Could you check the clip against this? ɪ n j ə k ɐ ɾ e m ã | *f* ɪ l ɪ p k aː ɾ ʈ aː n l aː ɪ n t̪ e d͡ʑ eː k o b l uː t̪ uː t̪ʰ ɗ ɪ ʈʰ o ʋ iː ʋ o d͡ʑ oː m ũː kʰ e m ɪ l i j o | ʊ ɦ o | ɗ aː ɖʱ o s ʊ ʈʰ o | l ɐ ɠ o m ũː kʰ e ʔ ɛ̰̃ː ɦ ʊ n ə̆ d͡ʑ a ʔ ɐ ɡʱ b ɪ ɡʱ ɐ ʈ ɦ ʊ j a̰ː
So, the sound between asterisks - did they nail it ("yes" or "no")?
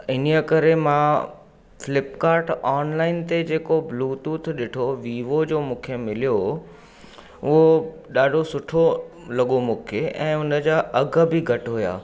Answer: yes